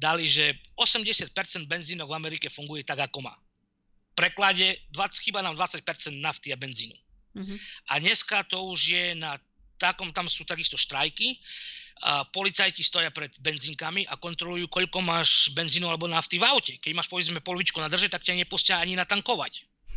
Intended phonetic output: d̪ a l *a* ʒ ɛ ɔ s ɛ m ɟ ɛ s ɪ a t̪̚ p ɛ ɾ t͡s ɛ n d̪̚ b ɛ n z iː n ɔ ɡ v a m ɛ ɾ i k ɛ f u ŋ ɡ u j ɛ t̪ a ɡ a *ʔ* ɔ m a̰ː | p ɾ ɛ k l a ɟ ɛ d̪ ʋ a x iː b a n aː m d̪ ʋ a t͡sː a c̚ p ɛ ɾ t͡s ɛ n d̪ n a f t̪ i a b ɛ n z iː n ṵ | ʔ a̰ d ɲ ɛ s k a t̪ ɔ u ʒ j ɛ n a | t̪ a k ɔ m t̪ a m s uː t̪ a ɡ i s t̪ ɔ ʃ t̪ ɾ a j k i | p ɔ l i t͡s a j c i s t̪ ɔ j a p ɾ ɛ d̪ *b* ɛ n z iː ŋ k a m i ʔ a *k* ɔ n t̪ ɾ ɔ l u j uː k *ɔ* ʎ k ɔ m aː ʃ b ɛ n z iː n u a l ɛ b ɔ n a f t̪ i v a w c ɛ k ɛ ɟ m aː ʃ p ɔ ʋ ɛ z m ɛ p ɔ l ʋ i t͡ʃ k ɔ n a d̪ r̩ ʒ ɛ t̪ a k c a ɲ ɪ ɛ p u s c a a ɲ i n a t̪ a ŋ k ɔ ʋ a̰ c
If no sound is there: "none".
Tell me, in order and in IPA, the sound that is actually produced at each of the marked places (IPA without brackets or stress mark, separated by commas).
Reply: i, k, b, k, ɔ